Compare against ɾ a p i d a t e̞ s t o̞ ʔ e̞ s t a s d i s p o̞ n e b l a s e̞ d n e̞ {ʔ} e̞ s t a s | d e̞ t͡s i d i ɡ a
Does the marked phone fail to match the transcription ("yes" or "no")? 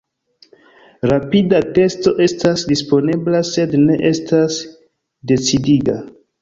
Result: no